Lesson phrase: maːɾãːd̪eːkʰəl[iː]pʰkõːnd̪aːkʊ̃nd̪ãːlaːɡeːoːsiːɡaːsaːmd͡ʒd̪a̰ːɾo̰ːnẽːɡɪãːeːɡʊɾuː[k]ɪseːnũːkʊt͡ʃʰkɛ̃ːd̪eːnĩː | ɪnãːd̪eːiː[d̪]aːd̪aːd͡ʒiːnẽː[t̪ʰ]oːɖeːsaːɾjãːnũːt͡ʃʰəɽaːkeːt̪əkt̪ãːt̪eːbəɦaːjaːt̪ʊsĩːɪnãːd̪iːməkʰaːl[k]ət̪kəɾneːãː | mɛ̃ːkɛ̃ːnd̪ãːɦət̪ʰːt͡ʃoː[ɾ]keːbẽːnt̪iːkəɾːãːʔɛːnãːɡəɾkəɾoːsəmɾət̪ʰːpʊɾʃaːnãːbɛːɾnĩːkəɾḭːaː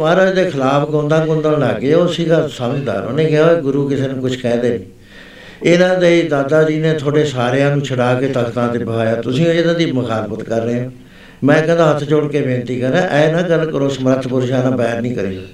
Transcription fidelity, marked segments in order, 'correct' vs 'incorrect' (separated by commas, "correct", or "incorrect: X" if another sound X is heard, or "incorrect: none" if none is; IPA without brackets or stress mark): incorrect: aː, correct, correct, correct, incorrect: p, incorrect: ɽ